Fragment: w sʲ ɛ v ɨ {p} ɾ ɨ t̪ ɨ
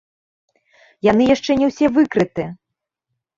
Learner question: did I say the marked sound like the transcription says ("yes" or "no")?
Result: no